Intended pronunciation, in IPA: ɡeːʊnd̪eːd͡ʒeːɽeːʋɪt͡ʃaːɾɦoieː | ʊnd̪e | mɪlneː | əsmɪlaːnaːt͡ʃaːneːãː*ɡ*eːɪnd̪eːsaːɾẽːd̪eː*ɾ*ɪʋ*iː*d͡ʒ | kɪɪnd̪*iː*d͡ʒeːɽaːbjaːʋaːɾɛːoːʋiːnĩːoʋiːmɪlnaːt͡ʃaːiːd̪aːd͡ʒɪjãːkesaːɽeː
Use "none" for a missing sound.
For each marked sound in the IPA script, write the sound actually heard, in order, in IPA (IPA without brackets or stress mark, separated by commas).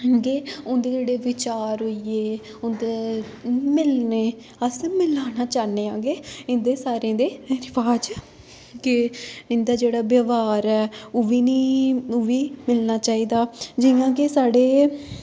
ɡ, ɾ, aː, aː